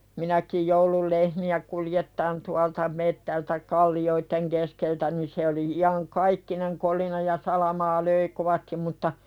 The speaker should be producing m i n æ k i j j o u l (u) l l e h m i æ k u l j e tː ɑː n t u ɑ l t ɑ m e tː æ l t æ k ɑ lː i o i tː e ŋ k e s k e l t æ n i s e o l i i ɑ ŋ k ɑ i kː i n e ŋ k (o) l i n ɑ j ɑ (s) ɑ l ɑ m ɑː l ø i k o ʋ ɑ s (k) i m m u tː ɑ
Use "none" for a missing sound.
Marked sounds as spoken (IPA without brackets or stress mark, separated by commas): u, o, s, t